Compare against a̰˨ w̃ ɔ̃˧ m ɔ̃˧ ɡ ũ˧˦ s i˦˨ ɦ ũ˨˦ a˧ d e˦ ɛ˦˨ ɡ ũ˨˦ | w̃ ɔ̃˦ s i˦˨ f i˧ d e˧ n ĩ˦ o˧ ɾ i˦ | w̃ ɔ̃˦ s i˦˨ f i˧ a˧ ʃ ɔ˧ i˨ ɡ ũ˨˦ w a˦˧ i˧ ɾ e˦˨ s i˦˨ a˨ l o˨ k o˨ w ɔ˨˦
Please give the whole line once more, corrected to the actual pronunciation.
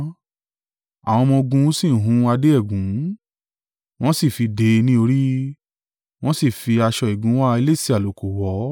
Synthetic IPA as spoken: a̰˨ w̃ ɔ̃˧ m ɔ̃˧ ɡ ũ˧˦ s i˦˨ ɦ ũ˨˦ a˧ d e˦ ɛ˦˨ ɡ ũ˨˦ | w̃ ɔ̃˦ s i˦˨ f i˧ d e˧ n ĩ˦ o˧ ɾ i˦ | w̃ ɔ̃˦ s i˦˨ f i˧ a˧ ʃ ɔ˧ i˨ ɡ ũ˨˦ w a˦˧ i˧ l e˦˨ s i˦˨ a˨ l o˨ k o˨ w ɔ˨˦

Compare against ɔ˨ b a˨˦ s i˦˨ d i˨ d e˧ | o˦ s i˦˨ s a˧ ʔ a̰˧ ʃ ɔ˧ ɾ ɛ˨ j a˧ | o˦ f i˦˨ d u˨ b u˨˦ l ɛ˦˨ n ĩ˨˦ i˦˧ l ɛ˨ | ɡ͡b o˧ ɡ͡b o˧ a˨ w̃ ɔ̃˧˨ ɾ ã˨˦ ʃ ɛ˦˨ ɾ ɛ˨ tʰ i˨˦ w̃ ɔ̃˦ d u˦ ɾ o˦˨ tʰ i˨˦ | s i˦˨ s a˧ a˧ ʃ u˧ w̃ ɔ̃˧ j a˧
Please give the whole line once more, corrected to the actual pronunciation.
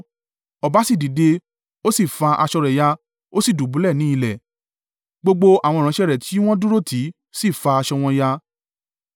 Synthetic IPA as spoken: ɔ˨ b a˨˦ s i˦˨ d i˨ d e˧ | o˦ s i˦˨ f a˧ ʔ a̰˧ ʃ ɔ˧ ɾ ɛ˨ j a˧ | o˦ s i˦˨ d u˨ b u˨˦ l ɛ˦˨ n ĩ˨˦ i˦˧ l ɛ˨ | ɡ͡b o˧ ɡ͡b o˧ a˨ w̃ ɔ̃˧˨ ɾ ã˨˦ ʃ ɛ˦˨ ɾ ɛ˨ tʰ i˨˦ w̃ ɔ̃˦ d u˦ ɾ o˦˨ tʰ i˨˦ | s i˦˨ f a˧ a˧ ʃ ɔ˧ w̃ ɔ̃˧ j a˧

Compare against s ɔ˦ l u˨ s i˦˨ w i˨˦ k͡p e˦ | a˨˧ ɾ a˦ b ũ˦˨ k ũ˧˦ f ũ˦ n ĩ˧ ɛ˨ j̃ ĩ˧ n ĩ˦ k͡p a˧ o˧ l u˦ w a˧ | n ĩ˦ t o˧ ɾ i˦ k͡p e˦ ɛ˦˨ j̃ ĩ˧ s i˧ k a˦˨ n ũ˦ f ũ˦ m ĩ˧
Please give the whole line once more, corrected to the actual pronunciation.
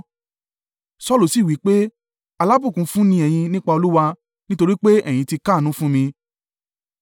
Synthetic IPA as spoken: s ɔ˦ l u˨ s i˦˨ w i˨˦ k͡p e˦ | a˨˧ l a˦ b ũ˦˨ k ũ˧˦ f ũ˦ n ĩ˧ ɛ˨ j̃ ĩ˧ n ĩ˦ k͡p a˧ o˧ l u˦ w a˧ | n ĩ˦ t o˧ ɾ i˦ k͡p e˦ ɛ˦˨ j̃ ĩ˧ t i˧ k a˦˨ n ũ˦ f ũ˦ m ĩ˧

